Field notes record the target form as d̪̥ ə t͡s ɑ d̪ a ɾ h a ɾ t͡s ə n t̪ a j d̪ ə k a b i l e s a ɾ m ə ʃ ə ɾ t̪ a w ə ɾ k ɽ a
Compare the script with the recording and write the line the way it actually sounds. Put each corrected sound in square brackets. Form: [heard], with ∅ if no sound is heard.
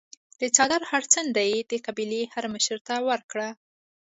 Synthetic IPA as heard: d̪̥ ə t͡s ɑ d̪ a ɾ h a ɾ t͡s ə n [d̪] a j d̪ ə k a b i l e [h] a ɾ m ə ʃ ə ɾ t̪ a w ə ɾ k ɽ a